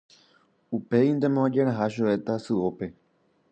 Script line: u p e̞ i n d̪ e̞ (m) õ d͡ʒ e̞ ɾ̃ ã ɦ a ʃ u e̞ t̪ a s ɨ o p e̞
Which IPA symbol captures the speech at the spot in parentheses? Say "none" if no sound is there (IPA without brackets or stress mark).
m